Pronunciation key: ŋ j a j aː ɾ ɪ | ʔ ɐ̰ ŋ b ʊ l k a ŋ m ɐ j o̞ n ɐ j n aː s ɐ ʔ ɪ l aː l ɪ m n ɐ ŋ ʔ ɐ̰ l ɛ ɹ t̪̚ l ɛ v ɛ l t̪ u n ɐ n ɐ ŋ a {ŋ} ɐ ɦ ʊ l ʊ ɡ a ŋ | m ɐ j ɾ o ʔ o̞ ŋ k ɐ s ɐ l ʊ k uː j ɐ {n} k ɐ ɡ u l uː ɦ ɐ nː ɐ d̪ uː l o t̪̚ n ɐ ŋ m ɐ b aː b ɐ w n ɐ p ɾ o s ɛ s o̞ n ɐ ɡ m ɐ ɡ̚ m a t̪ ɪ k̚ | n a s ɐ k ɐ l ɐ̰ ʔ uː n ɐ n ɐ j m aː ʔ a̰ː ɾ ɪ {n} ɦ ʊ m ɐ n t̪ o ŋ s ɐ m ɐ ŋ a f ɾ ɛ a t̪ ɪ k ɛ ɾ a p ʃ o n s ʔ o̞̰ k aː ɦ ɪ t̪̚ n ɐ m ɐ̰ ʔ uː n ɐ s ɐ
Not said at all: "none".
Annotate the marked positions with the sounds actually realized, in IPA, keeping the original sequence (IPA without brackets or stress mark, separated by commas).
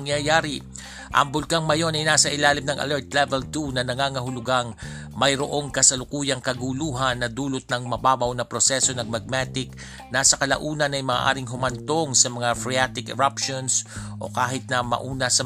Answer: ŋ, ŋ, ŋ